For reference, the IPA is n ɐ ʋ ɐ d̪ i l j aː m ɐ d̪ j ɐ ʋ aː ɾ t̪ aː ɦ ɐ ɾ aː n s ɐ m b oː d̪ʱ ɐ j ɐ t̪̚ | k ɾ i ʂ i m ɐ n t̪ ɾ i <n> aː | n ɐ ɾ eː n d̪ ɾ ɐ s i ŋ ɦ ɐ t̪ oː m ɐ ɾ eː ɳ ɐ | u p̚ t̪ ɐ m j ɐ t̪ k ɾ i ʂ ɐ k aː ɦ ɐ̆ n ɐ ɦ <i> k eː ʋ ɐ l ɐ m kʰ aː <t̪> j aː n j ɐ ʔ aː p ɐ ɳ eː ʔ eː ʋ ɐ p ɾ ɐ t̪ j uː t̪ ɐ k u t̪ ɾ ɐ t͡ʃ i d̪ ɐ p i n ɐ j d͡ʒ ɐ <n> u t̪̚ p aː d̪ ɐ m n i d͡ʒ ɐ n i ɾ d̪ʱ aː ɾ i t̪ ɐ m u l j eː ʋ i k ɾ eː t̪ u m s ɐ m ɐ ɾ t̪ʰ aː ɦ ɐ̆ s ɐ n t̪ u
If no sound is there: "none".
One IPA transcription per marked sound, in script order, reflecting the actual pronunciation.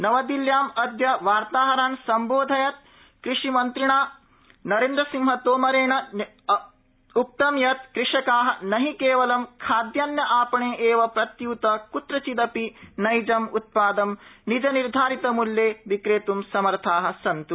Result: ɳ, i, d̪, m

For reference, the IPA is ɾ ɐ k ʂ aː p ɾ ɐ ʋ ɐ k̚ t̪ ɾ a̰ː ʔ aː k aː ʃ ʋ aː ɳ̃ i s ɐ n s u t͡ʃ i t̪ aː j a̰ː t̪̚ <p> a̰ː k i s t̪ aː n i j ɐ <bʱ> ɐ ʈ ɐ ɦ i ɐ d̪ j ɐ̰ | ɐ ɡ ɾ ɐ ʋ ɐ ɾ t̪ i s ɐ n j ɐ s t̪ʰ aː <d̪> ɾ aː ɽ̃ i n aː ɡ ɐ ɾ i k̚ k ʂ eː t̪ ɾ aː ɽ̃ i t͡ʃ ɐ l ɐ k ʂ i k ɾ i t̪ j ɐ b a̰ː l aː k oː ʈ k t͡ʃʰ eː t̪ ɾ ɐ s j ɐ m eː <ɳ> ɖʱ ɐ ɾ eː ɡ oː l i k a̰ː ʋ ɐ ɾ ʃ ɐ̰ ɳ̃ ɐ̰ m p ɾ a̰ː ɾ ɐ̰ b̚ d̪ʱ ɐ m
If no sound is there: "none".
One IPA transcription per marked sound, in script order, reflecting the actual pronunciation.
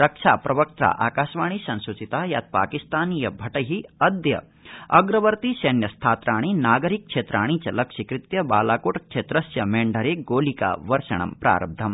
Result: p, bʱ, t̪, ɳ

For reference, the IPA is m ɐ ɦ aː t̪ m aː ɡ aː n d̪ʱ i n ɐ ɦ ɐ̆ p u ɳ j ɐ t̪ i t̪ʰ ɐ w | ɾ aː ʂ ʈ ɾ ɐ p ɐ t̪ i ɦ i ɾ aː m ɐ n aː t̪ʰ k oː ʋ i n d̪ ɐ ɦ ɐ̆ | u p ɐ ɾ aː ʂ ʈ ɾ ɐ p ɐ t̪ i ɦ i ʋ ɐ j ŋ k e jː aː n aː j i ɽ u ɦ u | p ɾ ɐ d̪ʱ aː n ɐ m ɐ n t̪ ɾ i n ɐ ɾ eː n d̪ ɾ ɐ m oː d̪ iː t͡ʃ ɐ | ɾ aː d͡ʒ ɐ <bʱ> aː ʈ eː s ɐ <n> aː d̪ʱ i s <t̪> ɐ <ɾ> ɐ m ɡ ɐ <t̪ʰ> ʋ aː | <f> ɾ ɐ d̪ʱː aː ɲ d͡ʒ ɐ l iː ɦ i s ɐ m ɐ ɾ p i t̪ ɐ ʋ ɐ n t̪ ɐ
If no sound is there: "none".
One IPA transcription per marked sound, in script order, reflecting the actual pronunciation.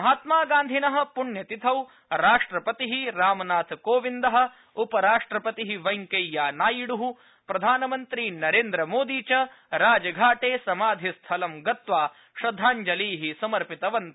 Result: ɡʱ, m, t̪ʰ, l, t̪, ʃ

